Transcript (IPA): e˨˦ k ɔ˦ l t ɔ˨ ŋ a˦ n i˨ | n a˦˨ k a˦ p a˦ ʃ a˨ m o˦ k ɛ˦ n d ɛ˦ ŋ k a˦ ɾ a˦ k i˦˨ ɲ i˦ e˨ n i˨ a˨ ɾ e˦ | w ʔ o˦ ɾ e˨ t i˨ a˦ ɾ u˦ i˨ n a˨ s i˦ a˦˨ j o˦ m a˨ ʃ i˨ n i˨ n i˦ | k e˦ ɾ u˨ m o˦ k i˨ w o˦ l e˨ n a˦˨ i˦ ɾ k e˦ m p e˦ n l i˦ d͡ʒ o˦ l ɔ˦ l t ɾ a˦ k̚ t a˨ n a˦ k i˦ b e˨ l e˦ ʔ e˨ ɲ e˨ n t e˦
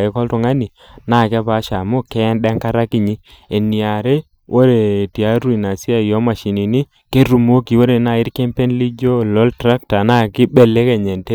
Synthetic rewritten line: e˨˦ k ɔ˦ l t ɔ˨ ŋ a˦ n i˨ | n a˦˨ k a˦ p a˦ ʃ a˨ m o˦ k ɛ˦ n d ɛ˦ ŋ k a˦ ɾ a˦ k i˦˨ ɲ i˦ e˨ n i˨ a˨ ɾ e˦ | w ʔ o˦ ɾ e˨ t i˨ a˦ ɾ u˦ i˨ n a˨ s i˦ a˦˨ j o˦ m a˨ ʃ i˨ n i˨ n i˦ | k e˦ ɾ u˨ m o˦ k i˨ w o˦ ɾ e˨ n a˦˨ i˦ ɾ k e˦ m p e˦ n l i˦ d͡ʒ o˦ l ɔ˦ l t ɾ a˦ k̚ t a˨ n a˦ k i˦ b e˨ l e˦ k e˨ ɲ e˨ n t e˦